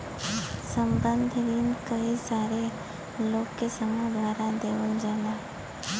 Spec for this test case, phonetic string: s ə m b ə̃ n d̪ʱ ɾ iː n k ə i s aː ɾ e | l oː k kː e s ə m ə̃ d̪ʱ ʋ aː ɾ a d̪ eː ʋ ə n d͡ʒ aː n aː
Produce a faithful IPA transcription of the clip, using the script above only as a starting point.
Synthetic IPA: s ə m b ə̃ n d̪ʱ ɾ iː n k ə i s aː ɾ e | l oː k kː e s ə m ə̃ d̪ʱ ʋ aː ɾ a d̪ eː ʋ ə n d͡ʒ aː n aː

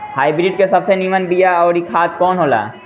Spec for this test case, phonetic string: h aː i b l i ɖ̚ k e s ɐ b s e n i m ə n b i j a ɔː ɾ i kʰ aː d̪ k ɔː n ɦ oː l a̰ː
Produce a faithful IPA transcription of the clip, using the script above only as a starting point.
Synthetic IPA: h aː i b ɾ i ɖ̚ k e s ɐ b s e n i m ə n b i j a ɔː ɾ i kʰ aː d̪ k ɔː n ɦ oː l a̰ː

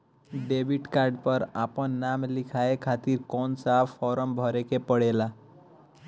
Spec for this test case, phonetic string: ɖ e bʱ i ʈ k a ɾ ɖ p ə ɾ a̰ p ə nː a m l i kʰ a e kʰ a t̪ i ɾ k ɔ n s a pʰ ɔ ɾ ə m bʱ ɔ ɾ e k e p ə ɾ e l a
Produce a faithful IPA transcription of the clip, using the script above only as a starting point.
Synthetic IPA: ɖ e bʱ i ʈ k a ɾ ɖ p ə ɾ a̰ p ə nː a m l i kʰ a e kʰ a t̪ i ɾ k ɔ n s a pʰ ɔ ɾ ə m bʱ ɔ ɾ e k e p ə ɽ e l a

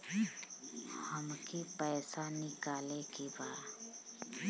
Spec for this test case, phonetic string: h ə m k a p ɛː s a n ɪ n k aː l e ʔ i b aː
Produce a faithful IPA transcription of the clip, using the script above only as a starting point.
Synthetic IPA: h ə m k i p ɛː s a n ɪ k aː l e k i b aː

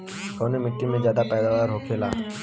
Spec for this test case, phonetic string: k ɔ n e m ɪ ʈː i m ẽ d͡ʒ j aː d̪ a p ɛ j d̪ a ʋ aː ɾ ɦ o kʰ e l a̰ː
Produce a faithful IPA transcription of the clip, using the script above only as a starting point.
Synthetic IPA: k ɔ n e m ɪ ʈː i m ẽ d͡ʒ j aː d̪ a p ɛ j d̪ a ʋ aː ɾ ɦ o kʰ e l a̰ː

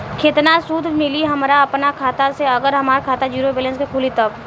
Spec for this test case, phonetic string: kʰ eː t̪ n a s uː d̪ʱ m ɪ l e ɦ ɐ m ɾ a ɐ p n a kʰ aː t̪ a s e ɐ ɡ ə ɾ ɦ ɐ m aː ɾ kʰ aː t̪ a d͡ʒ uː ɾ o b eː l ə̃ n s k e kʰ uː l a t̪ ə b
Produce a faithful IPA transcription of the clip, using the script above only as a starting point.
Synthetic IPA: kʰ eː t̪ n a s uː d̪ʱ m ɪ l i ɦ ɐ m ɾ a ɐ p n a kʰ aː t̪ a s e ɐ ɡ ə ɾ ɦ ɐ m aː ɾ kʰ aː t̪ a d͡ʒ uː ɾ o b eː l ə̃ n s k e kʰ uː l i t̪ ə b

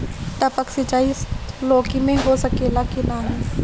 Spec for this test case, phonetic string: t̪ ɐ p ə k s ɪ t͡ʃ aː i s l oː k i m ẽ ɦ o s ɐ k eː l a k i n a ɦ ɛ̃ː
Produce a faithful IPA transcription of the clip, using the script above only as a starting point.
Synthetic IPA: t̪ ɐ p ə k s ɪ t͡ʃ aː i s l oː k i m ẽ ɦ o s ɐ k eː l a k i n a ɦ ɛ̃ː

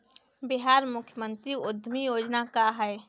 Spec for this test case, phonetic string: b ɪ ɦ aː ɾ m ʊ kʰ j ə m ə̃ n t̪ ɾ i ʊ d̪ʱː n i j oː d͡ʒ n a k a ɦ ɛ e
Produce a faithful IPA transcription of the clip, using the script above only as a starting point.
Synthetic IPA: b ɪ ɦ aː ɾ m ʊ kʰ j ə m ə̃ n t̪ ɾ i ʊ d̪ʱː m i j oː d͡ʒ n a k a ɦ ɛ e

